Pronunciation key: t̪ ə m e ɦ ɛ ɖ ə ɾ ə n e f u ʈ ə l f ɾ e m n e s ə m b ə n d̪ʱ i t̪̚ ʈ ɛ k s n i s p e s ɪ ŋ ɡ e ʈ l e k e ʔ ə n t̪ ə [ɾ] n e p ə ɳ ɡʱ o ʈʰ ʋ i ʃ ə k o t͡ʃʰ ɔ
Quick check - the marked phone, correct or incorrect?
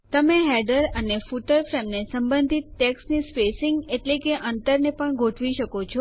correct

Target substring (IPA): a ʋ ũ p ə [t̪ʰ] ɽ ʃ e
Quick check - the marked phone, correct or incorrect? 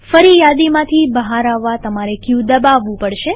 incorrect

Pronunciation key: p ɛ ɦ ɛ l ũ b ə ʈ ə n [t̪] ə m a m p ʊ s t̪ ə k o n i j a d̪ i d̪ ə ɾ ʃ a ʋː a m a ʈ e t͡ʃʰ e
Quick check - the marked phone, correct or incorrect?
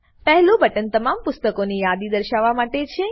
correct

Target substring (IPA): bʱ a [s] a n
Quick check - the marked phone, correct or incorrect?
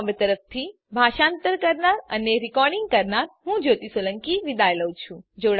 incorrect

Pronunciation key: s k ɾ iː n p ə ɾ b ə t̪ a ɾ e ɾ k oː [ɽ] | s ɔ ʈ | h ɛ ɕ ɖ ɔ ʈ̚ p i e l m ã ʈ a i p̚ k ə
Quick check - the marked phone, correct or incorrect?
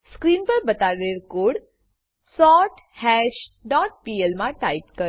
correct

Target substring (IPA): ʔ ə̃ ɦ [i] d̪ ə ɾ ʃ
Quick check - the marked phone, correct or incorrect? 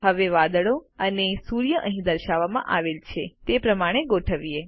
incorrect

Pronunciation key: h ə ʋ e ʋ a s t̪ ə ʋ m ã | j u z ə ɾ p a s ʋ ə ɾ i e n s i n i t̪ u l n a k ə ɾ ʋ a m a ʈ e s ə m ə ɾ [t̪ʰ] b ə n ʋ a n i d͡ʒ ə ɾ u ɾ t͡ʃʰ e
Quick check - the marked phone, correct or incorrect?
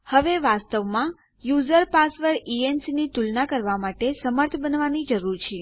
correct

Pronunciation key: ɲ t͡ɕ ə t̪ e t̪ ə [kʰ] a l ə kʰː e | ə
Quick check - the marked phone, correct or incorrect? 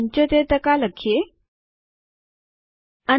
incorrect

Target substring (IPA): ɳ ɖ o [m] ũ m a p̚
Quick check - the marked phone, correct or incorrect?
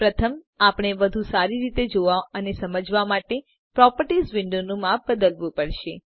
incorrect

